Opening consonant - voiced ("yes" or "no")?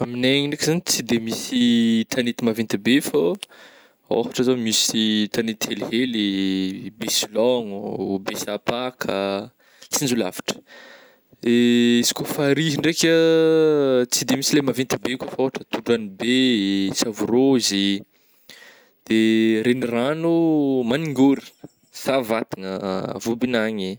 yes